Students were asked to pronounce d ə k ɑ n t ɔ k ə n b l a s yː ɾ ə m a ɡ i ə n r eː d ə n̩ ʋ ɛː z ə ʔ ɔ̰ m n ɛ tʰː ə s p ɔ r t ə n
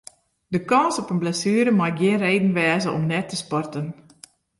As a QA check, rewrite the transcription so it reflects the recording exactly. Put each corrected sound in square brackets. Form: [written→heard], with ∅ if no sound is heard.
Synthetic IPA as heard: d ə k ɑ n [t→s] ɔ [k→p] ə n b l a s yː ɾ ə m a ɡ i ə n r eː d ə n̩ ʋ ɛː z ə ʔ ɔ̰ m n ɛ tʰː ə s p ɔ r t ə n

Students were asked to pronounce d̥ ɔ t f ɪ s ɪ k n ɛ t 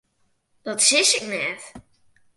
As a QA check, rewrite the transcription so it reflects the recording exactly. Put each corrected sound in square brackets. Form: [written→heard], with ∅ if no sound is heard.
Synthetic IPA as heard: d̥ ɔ t [f→s] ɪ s ɪ k n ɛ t

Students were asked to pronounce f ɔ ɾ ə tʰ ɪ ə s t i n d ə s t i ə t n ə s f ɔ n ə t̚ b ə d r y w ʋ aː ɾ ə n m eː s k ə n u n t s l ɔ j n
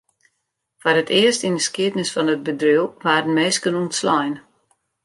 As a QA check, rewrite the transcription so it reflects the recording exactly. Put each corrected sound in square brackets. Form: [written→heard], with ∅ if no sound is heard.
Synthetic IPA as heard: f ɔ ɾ ə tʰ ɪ ə s t i n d ə s [t→k] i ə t n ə s f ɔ n ə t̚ b ə d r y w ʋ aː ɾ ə n m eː s k ə n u n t s l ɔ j n

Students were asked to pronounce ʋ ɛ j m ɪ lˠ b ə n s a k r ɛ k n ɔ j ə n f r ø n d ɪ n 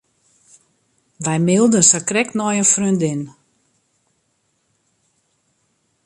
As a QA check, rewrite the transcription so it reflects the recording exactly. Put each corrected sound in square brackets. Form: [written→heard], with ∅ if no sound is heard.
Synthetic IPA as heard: ʋ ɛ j m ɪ lˠ [b→d] ə n s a k r ɛ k n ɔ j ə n f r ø n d ɪ n

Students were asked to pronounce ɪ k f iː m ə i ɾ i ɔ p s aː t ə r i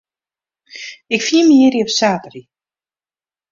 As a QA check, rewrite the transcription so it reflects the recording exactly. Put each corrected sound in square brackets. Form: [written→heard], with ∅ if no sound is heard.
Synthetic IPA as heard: ɪ k f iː m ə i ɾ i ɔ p s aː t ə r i

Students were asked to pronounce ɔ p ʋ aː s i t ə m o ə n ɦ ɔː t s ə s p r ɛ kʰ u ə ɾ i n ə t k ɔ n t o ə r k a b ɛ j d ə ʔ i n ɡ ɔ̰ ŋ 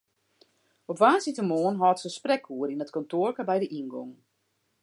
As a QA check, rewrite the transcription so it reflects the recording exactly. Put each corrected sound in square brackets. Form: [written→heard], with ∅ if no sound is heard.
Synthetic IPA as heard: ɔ p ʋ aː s i t ə m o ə n ɦ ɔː t s ə s p r ɛ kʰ u ə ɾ i n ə t k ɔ n t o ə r k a b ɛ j d ə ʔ i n ɡ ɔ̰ ŋ

